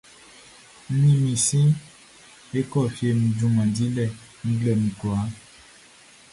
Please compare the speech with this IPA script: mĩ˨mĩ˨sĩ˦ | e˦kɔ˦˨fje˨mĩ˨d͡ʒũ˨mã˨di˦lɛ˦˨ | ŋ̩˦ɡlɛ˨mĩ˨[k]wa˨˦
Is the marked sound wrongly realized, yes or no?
no